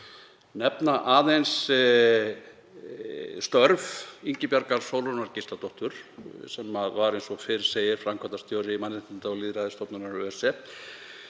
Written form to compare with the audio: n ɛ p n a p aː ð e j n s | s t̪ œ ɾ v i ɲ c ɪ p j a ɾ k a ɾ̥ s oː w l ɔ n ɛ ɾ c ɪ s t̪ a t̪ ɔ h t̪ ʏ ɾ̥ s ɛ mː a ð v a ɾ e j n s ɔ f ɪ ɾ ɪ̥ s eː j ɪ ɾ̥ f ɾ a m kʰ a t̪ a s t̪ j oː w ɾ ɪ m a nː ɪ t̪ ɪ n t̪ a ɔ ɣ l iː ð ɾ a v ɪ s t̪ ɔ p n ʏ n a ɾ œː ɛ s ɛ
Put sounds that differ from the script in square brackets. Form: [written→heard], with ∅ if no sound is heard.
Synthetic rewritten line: n ɛ p n a [p→ʔ] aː ð e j n s | s t̪ œ ɾ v i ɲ c ɪ p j a ɾ k a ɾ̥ s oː w l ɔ n [ɛ→a] ɾ c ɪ s t̪ a t̪ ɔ h t̪ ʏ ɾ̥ s ɛ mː a ð v a ɾ e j n s ɔ f ɪ ɾ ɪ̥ s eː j ɪ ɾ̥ f ɾ a m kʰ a t̪ a s t̪ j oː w ɾ ɪ m a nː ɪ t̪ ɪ n t̪ a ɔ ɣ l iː ð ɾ a [v→ð] ɪ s t̪ ɔ p n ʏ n a ɾ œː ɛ s ɛ

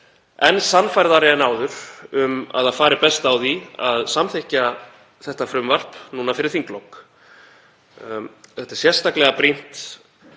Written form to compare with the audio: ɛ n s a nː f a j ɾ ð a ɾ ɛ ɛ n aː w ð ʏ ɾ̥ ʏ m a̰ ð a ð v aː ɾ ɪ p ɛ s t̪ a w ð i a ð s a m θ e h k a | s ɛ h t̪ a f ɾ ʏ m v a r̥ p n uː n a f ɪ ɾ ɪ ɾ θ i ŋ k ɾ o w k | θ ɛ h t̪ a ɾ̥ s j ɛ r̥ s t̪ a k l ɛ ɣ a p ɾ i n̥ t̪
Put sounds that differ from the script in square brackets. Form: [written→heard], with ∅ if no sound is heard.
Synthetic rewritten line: ɛ n s a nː f a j ɾ ð a ɾ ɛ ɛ n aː w ð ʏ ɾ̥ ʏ m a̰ ð a ð [v→f] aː ɾ ɪ p ɛ s t̪ a w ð i a ð s a m θ e h [k→c] a | [s→θ] ɛ h t̪ a f ɾ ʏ m v a r̥ p n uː n a f ɪ ɾ ɪ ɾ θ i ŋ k [ɾ→l] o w k | θ ɛ h t̪ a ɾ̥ s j ɛ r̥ s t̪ a k l ɛ ɣ a p ɾ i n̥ t̪

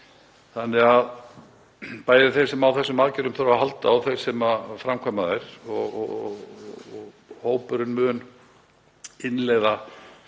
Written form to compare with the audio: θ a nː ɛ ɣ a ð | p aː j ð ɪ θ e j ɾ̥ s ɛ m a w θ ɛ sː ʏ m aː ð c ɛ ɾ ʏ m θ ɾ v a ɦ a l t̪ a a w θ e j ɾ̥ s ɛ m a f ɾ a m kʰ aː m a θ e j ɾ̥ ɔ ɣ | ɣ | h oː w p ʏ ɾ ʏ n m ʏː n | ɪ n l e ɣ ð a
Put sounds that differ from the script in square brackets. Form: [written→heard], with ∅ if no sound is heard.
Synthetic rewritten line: θ a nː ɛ ɣ a ð | p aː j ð ɪ θ e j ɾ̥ s ɛ m a w θ ɛ sː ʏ m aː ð c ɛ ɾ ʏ m θ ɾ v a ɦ a l t̪ a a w θ e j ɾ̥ s ɛ m a f ɾ a m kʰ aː m a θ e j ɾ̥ ɔ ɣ | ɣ | h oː w p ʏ ɾ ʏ n m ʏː n | ɪ n l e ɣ ð a

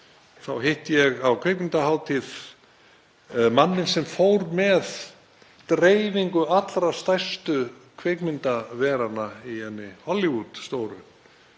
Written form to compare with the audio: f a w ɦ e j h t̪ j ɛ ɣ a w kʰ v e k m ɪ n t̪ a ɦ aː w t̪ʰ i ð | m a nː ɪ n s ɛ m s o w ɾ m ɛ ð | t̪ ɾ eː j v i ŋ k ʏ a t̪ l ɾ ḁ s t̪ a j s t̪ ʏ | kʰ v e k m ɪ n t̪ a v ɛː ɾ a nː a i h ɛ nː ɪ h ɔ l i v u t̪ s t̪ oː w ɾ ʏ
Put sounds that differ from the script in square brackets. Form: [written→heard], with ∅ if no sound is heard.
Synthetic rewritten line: [f→θ] a w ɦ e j h t̪ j ɛ ɣ a w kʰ v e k m ɪ n t̪ a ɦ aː w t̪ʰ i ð | m a nː ɪ n s ɛ m [s→f] o w ɾ m ɛ ð | t̪ ɾ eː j v i ŋ k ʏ a t̪ l ɾ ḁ s t̪ a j s t̪ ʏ | kʰ v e k m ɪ n t̪ a v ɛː ɾ a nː a i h ɛ nː ɪ h ɔ l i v u t̪ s t̪ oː w ɾ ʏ

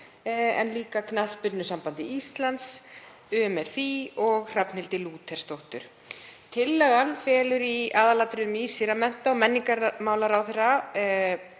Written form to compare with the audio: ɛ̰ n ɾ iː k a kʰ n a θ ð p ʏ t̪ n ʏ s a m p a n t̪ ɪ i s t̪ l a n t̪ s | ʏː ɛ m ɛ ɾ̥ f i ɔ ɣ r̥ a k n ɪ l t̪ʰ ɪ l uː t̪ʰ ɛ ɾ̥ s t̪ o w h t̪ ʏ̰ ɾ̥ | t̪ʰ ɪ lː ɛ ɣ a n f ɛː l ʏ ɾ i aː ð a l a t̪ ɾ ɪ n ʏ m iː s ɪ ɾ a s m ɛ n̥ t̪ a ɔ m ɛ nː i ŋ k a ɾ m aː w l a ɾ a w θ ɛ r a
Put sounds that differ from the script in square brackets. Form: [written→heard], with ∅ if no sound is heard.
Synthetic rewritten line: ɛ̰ n [ɾ→l] iː k a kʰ n a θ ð p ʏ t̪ n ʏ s a m p a n t̪ ɪ i s t̪ l a n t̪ s | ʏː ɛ m ɛ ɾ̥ f i ɔ ɣ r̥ a [k→p] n ɪ l [t̪ʰ→t̪] ɪ l uː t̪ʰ ɛ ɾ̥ s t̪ o w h t̪ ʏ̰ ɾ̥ | t̪ʰ ɪ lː ɛ ɣ a n f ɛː l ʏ ɾ i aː ð a l a t̪ ɾ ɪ n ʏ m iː s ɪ ɾ a [s→∅] m ɛ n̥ t̪ a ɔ m ɛ nː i ŋ k a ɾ m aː w l a ɾ a w θ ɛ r a

